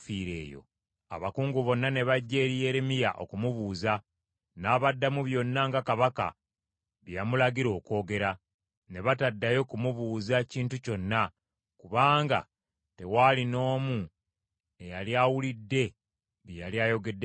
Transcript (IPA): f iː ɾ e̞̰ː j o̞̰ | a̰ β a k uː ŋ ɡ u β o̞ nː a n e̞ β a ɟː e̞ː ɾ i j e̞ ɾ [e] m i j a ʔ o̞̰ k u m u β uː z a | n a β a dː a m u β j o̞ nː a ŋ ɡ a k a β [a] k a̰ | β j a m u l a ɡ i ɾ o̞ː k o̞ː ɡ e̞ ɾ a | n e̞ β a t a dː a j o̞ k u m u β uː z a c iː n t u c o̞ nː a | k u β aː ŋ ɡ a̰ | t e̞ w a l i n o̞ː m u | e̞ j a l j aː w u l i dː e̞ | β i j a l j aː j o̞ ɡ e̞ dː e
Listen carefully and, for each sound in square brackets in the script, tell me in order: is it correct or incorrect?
correct, correct

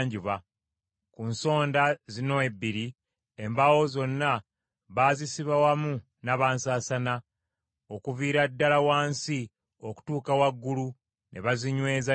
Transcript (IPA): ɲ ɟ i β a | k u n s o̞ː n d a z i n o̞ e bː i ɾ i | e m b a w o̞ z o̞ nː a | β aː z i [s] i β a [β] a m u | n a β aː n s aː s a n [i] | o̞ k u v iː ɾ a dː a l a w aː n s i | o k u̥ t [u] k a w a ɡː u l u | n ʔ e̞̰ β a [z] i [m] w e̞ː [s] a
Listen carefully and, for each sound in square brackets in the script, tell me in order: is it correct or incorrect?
correct, incorrect, incorrect, incorrect, correct, incorrect, incorrect

